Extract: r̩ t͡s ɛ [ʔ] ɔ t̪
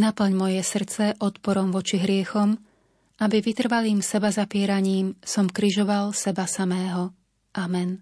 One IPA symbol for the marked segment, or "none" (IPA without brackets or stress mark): ʔ